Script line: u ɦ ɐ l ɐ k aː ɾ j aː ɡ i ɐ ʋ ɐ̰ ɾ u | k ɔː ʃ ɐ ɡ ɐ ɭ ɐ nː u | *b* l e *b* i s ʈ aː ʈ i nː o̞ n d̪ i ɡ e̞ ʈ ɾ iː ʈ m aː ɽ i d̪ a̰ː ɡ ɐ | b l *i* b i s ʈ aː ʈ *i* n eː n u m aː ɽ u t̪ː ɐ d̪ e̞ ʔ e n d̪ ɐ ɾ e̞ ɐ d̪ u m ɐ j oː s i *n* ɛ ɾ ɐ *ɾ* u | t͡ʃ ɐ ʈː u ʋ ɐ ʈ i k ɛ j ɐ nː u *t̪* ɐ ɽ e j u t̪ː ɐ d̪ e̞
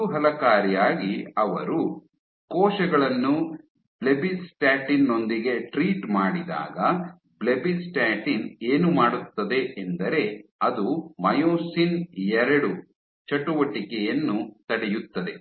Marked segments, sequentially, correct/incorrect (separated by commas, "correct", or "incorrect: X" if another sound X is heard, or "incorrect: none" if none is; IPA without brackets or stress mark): correct, correct, incorrect: e, correct, correct, incorrect: ɽ, correct